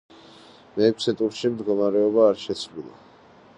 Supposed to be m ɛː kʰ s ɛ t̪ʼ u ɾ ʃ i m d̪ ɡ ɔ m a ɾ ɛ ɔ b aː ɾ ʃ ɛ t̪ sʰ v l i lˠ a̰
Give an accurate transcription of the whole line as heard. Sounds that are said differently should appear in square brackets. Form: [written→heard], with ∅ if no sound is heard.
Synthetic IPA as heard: m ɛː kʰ s ɛ t̪ʼ u ɾ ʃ i m d̪ ɡ ɔ m a ɾ ɛ ɔ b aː ɾ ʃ ɛ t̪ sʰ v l i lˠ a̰